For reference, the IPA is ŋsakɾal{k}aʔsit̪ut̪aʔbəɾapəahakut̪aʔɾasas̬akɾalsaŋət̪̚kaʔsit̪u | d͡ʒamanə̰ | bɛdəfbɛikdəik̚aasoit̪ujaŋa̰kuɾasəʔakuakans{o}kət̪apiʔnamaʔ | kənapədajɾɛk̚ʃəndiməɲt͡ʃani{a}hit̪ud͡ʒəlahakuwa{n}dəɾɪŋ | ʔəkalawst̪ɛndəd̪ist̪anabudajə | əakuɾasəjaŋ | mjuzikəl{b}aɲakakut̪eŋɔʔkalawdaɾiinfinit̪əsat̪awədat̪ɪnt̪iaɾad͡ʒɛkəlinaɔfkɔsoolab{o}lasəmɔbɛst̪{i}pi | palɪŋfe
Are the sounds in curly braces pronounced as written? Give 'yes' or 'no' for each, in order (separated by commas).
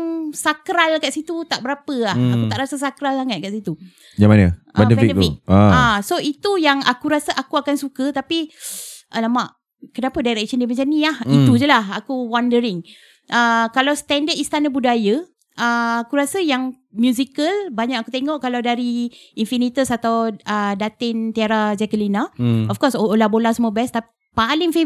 yes, no, yes, yes, yes, yes, no